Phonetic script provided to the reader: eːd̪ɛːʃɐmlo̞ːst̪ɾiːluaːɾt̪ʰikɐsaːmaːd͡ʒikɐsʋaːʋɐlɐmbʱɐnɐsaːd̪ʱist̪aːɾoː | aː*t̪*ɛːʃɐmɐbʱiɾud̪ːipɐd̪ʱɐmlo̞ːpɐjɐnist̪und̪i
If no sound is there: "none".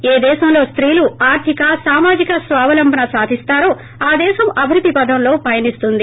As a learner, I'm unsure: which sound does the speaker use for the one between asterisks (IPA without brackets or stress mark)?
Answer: d̪